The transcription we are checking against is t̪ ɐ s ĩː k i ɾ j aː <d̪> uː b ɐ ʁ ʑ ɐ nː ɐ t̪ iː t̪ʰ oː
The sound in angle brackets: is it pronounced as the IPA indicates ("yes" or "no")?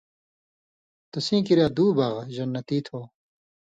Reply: yes